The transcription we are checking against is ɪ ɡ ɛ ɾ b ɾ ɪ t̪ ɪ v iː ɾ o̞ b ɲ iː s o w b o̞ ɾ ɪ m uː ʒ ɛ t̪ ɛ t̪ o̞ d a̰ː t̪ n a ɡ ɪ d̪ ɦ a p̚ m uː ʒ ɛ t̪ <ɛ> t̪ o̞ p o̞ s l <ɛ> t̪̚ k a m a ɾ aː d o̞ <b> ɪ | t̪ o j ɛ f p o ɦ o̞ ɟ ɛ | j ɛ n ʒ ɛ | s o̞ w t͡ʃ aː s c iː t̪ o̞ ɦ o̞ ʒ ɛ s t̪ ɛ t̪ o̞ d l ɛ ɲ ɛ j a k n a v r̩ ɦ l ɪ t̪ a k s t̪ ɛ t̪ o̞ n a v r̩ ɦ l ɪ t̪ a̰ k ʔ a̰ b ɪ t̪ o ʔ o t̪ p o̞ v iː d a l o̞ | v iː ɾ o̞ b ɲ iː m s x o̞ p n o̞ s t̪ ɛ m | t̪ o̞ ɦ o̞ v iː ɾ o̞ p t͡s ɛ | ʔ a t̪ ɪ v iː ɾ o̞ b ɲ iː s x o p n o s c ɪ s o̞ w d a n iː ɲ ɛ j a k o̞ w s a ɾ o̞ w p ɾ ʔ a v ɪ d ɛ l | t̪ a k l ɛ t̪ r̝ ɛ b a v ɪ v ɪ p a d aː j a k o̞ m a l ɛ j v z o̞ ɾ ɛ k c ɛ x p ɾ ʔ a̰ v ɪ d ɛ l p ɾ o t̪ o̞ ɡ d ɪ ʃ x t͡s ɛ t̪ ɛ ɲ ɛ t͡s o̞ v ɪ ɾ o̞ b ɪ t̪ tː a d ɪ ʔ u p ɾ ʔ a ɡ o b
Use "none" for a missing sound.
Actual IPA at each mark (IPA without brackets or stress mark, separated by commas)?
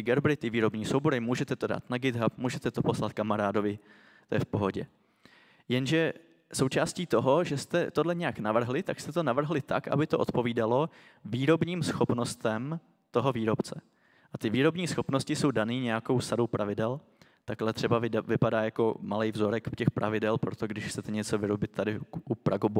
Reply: ɛ, a, v